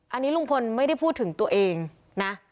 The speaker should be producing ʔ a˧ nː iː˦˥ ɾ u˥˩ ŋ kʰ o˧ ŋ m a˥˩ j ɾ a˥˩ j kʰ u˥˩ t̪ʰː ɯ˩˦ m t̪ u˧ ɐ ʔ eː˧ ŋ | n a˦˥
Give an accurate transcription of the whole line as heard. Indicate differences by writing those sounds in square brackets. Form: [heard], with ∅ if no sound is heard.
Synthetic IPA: ʔ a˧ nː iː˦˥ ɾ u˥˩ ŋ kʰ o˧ [n] m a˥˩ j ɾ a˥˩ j [pʰ] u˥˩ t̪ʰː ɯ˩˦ [ŋ] t̪ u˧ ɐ ʔ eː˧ ŋ | n a˦˥